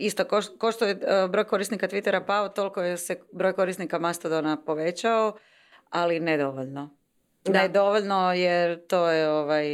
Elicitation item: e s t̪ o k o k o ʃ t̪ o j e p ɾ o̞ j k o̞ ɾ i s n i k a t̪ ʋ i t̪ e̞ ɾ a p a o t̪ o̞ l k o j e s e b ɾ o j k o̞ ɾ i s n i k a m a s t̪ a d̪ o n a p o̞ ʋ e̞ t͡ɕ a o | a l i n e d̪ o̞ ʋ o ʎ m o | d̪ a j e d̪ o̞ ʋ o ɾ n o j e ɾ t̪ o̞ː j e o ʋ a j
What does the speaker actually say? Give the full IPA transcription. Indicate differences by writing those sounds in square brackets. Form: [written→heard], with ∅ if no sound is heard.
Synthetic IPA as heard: [e→i] s t̪ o k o k o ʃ t̪ o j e [p→b] ɾ o̞ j k o̞ ɾ i s n i k a t̪ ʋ i t̪ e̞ ɾ a p a o t̪ o̞ l k o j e s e b ɾ o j k o̞ ɾ i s n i k a m a s t̪ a d̪ o n a p o̞ ʋ e̞ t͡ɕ a o | a l i n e d̪ o̞ ʋ o ʎ [m→n] o | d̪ a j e d̪ o̞ ʋ o [ɾ→ʎ] n o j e ɾ t̪ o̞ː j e o ʋ a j